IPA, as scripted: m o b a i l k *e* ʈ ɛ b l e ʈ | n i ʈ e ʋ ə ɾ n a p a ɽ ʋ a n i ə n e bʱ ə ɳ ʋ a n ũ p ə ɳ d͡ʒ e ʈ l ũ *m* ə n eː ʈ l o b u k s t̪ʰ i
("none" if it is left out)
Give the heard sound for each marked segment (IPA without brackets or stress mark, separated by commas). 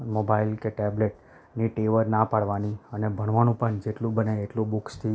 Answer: e, b